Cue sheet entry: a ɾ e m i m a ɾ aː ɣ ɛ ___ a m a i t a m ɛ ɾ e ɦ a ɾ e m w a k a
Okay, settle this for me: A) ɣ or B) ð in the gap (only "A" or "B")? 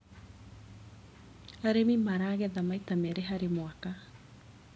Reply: B